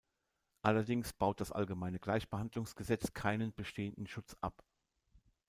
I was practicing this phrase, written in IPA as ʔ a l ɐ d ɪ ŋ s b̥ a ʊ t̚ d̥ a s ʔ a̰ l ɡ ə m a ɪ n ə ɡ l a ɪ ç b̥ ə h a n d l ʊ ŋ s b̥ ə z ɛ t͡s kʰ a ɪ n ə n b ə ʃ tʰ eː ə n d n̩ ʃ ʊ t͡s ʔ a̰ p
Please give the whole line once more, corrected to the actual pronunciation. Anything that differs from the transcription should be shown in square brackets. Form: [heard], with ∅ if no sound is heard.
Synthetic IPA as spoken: ʔ a l ɐ d ɪ ŋ s b̥ a ʊ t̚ d̥ a s ʔ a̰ l ɡ ə m a ɪ n ə ɡ l a ɪ ç b̥ ə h a n d l ʊ ŋ s [ɡ̥] ə z ɛ t͡s kʰ a ɪ n ə n b ə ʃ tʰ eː ə n d n̩ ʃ ʊ t͡s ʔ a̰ p